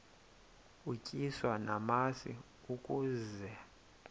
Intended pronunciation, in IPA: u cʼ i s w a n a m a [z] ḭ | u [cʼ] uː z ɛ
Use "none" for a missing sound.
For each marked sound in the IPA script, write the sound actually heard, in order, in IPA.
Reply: s, kʼ

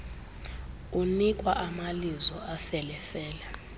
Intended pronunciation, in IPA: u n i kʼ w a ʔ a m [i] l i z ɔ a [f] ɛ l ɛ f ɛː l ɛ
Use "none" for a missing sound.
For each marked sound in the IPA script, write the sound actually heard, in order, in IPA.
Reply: a, f

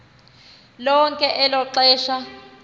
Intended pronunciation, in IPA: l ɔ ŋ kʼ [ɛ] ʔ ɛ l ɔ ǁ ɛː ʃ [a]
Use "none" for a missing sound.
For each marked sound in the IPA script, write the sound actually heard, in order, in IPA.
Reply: ɛ, a

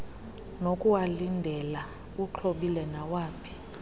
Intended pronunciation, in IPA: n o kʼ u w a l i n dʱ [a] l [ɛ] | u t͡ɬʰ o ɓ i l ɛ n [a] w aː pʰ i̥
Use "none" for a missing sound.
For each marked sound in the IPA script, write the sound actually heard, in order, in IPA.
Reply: ɛ, a, a

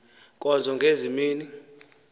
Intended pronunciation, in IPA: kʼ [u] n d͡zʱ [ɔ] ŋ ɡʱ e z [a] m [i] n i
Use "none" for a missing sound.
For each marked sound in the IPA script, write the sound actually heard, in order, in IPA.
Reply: ɔ, ɔ, i, iː

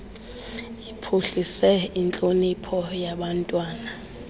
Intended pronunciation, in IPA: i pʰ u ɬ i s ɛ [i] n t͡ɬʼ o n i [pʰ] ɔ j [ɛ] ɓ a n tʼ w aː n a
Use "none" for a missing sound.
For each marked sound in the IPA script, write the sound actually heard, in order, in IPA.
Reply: i, pʰ, a

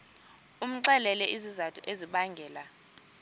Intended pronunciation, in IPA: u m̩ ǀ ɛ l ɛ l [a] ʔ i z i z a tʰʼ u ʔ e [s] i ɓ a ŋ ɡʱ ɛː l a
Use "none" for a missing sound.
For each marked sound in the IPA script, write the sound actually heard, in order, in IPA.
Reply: ɛ, z

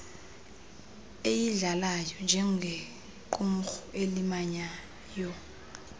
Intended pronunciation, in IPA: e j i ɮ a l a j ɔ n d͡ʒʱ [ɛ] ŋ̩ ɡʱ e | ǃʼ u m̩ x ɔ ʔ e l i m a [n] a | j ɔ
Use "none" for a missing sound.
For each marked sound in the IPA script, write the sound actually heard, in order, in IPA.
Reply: ɛ, ɲ

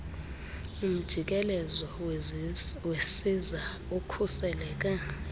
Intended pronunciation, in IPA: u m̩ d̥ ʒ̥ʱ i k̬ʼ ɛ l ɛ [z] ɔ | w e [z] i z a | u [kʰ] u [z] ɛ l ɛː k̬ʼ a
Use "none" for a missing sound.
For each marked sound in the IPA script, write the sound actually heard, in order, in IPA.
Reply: z, s, kʰ, s

